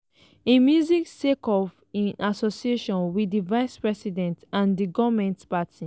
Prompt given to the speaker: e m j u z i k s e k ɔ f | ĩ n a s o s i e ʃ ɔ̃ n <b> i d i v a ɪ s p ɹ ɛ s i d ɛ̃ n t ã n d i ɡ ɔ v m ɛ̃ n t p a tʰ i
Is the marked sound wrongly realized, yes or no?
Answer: yes